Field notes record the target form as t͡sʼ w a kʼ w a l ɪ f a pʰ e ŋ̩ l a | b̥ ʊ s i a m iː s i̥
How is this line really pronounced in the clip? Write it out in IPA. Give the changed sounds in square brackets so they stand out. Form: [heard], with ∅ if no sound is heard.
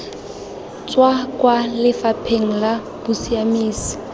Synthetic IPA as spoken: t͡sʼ w a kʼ w a l ɪ f a pʰ e ŋ̩ l a | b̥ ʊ s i a m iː s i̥